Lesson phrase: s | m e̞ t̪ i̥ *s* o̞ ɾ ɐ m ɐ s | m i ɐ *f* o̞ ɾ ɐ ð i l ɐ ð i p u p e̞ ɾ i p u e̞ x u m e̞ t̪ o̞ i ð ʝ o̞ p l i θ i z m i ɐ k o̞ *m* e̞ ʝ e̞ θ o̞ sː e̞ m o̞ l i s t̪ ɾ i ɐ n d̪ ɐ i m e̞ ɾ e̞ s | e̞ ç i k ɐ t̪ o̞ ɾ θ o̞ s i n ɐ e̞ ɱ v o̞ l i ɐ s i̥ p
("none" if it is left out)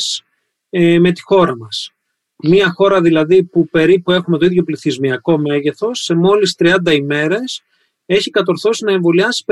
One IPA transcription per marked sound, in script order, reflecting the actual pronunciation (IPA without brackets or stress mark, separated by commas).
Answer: x, x, m